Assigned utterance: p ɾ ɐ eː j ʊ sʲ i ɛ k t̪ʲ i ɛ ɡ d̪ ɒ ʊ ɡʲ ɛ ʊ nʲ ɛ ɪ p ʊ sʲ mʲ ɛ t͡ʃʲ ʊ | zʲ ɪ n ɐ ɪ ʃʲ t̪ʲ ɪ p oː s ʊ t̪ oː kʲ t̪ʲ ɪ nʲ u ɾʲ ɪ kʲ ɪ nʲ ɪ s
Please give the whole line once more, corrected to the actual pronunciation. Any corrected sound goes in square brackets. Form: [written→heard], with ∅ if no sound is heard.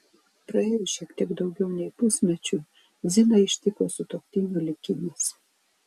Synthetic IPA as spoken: p ɾ ɐ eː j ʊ [sʲ→ʃʲ] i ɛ k t̪ʲ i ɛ ɡ d̪ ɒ ʊ ɡʲ ɛ ʊ nʲ ɛ ɪ p ʊ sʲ mʲ ɛ t͡ʃʲ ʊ | zʲ ɪ n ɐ ɪ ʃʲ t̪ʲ ɪ [p→k] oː s ʊ t̪ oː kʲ t̪ʲ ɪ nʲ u [ɾʲ→lʲ] ɪ kʲ ɪ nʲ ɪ s